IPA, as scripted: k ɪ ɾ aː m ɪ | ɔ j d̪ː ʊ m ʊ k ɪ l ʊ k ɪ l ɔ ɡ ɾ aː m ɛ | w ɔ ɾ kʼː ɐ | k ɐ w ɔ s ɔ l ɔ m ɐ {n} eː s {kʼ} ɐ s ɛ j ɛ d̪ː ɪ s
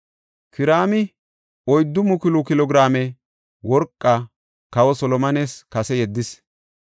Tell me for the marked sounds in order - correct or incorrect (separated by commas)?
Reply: correct, incorrect